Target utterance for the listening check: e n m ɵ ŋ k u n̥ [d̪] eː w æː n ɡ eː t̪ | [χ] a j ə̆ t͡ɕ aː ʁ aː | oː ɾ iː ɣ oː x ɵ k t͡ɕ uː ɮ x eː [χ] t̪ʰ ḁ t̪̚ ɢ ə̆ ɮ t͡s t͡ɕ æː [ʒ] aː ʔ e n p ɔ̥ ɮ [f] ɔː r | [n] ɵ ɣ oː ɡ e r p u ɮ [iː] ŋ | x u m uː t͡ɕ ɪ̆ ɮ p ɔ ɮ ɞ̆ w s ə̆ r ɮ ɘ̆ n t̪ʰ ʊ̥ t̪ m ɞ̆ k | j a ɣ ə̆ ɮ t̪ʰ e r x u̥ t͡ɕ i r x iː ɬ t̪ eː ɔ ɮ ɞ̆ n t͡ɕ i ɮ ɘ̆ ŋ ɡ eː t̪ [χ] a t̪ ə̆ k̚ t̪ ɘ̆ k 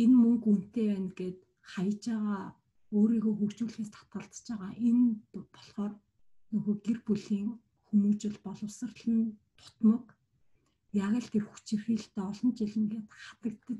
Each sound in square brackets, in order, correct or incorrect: incorrect, correct, incorrect, incorrect, incorrect, correct, correct, correct

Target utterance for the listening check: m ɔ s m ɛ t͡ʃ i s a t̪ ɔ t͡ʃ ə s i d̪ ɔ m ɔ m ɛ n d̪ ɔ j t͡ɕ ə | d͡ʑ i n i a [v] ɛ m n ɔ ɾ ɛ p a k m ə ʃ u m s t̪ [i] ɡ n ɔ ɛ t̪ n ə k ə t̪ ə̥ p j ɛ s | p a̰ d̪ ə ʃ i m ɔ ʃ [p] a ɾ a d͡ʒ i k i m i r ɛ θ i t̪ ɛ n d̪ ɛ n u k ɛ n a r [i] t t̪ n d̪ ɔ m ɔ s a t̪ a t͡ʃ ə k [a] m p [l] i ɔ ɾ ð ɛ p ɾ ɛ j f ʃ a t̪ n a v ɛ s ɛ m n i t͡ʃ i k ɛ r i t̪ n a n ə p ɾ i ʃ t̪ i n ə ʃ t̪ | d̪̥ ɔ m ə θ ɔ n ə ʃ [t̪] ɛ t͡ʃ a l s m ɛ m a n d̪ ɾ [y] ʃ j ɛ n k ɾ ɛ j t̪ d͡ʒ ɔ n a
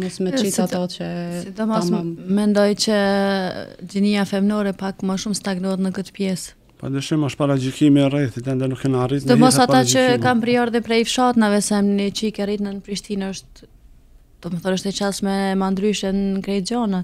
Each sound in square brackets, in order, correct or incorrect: incorrect, incorrect, correct, correct, correct, incorrect, correct, correct

